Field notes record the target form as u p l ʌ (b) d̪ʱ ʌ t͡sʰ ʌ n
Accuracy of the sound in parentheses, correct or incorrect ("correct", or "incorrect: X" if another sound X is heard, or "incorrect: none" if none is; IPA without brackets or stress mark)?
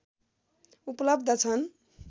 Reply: correct